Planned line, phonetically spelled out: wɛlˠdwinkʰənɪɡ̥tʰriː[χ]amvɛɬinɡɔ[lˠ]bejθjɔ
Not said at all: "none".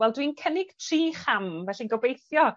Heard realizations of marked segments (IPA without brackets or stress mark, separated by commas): χ, none